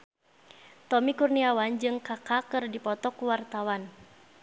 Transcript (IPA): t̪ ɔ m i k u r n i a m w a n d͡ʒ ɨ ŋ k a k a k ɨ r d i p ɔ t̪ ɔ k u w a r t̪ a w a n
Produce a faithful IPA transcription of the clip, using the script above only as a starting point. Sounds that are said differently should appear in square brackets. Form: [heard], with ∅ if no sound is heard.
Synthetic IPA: t̪ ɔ m i k u r n i a [∅] w a n d͡ʒ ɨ ŋ k a k a k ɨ r d i p ɔ t̪ ɔ k u w a r t̪ a w a n